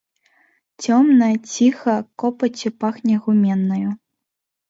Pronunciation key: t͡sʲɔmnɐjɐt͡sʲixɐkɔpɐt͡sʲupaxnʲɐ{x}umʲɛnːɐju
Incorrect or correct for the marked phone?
incorrect: ɣ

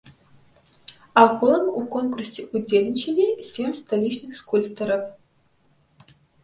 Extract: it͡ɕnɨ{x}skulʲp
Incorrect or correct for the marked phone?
correct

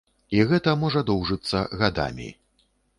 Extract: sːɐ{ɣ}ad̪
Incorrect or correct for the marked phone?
correct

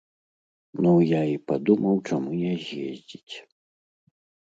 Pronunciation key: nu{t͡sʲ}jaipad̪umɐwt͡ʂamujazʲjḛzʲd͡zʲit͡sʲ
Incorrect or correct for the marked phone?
incorrect: none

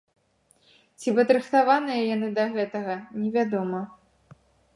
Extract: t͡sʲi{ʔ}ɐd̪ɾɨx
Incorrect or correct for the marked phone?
incorrect: p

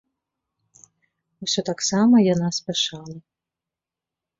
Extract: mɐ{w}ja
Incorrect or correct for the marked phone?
incorrect: none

